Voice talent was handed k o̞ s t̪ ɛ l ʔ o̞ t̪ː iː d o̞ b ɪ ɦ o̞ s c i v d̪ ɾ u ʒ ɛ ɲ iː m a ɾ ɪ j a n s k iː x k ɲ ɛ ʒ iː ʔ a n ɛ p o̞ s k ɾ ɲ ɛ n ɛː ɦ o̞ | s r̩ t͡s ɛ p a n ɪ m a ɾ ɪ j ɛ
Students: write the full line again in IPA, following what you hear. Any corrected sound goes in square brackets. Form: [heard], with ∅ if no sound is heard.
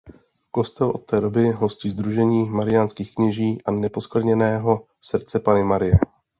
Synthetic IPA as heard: k o̞ s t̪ ɛ l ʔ o̞ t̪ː [ɛː] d o̞ b ɪ ɦ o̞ s c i [z] d̪ ɾ u ʒ ɛ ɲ iː m a ɾ ɪ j a n s k iː x k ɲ ɛ ʒ iː ʔ a n ɛ p o̞ s k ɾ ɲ ɛ n ɛː ɦ o̞ | s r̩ t͡s ɛ p a n ɪ m a ɾ ɪ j ɛ